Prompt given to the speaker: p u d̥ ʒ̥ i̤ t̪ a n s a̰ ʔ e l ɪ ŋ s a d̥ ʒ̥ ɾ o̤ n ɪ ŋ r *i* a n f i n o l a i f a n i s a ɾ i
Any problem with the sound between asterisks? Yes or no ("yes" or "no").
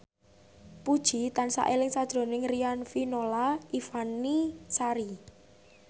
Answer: no